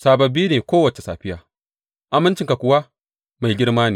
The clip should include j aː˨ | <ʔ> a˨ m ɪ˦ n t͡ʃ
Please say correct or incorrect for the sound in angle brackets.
correct